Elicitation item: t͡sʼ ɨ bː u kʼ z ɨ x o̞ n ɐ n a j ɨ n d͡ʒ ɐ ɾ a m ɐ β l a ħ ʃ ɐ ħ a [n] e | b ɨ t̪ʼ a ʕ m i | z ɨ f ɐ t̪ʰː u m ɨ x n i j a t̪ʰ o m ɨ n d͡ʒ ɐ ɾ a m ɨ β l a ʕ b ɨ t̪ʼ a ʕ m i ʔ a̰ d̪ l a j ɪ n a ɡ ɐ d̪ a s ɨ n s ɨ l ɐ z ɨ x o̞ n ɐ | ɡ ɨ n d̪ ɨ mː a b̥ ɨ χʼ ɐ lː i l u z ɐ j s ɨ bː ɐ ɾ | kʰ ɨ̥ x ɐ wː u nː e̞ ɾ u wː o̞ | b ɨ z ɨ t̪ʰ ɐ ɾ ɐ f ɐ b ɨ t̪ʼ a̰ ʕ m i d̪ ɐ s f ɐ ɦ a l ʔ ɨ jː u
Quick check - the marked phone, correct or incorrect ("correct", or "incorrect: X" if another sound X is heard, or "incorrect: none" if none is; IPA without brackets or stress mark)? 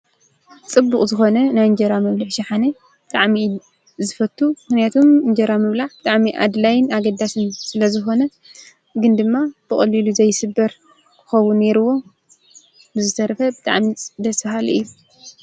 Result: correct